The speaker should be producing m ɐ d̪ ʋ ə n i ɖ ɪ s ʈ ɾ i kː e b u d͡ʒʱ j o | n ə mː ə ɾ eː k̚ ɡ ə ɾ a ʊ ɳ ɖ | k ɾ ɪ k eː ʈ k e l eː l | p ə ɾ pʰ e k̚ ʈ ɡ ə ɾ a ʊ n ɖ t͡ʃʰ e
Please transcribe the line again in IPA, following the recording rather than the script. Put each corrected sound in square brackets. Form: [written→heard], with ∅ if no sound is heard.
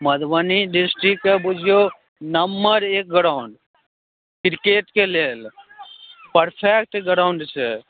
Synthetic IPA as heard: m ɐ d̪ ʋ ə n i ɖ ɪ s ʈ ɾ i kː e b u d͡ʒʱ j o | n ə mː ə ɾ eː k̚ ɡ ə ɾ a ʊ ɳ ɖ | k ɾ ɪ k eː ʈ k e l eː l | p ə ɾ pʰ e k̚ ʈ ɡ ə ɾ a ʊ [n→ɳ] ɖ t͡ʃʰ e